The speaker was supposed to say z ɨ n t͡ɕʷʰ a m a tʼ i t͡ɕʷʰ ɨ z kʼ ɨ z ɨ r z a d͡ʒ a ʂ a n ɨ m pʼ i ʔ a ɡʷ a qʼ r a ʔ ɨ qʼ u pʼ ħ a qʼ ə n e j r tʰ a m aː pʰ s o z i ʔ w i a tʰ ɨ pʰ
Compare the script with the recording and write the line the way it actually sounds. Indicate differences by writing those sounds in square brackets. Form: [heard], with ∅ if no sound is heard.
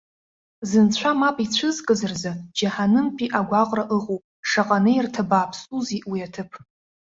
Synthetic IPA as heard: z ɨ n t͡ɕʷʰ a m a [pʼ] i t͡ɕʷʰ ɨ z kʼ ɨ z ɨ r z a d͡ʒ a [ħ] a n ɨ m pʼ i ʔ a ɡʷ a qʼ r a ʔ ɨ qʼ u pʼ [ʂ] a qʼ [a] n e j r tʰ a [b] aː pʰ s [u] z i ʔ w i a tʰ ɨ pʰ